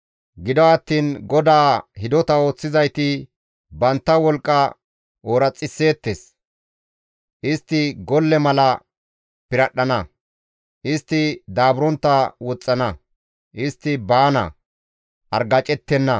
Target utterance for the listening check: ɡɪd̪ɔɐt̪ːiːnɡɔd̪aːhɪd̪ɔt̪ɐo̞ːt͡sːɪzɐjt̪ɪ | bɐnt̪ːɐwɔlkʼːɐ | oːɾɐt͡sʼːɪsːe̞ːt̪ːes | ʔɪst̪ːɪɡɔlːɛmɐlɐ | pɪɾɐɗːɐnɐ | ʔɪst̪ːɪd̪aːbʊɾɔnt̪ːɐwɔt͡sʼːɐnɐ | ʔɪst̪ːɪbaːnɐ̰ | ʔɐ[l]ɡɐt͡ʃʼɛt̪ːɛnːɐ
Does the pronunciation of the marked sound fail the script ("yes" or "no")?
yes